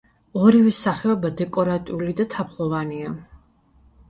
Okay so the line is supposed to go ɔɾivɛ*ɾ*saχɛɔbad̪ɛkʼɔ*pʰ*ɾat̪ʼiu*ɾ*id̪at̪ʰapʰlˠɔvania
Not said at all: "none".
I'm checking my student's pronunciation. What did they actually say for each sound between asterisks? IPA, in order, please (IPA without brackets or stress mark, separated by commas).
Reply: none, none, l